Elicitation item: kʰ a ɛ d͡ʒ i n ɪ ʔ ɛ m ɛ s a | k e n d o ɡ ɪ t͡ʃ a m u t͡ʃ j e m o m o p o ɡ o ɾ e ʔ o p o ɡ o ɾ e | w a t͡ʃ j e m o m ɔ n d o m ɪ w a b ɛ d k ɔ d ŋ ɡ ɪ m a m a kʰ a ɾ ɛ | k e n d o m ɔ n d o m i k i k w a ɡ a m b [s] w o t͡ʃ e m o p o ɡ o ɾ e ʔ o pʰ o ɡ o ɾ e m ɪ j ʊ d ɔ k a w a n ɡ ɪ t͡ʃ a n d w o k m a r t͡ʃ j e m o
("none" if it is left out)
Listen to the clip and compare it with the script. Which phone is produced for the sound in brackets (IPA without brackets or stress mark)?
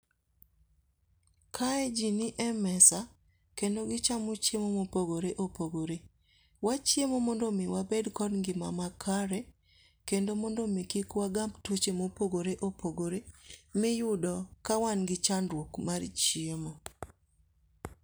t